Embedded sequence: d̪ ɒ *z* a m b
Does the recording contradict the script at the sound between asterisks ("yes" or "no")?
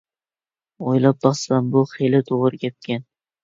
yes